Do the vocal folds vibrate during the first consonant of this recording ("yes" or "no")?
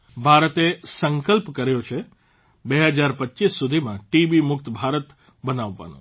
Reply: yes